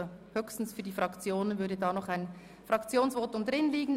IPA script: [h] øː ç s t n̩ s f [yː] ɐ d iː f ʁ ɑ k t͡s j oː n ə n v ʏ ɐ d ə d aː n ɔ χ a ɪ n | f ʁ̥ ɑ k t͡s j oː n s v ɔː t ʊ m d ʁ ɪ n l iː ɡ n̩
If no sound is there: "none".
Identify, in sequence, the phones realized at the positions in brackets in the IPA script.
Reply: h, yː

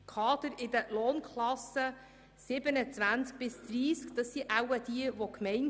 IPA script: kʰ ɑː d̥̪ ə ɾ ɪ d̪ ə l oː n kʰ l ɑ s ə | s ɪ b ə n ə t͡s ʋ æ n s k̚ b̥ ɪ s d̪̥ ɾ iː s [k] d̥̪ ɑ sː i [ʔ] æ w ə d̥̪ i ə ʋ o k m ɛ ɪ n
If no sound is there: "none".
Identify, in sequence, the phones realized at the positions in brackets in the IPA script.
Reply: k, ʔ

